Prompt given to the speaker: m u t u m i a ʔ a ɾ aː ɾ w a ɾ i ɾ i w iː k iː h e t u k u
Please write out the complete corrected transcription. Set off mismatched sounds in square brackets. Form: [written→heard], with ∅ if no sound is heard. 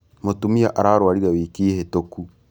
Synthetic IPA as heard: m [u→o] t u m i a ʔ a ɾ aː ɾ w a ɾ i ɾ [i→a] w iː k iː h e t [u→o] k u